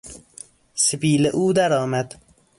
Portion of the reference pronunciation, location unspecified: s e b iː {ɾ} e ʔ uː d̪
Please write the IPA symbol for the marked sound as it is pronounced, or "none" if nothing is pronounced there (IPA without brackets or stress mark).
l